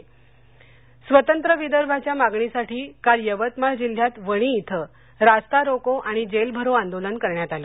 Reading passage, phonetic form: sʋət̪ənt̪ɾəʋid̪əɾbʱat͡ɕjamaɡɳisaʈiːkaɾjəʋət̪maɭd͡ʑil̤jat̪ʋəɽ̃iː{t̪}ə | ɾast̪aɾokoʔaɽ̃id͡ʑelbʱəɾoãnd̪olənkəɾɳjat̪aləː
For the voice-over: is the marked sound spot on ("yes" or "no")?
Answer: no